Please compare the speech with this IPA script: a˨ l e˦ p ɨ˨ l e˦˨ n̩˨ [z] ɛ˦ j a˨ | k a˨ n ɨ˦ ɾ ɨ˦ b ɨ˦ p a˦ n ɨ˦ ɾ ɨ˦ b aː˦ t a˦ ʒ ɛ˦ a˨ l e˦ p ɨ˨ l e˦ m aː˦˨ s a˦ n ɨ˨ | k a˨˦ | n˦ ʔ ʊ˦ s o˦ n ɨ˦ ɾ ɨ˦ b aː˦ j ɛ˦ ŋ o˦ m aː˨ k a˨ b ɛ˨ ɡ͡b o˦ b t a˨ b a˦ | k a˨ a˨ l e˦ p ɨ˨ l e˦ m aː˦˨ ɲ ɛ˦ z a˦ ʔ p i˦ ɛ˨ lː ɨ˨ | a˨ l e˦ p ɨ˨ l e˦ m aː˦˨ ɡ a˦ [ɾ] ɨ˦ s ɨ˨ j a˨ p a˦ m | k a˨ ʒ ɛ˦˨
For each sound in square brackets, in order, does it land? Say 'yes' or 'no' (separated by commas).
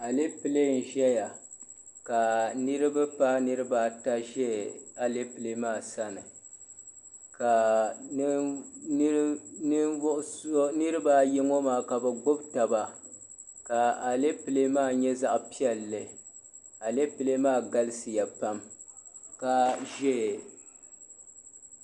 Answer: no, no